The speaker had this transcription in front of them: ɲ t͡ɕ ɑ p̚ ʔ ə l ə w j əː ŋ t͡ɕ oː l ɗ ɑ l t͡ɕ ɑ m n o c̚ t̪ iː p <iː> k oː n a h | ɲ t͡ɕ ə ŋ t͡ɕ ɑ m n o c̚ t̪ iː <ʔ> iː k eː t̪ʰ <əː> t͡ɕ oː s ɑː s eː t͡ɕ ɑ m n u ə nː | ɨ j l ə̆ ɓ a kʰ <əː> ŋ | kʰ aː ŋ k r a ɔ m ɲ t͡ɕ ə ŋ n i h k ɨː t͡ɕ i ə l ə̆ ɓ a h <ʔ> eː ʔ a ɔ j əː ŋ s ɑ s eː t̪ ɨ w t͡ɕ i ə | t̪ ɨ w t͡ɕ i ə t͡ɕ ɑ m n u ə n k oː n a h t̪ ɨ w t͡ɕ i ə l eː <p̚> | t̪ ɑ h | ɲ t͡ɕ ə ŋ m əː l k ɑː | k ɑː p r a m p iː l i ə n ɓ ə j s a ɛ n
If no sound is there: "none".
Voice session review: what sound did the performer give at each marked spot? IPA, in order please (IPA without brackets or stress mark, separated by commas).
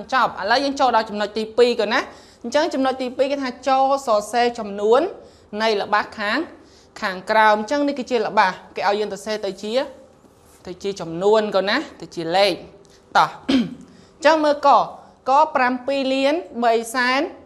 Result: iː, p, aː, aː, k, k̚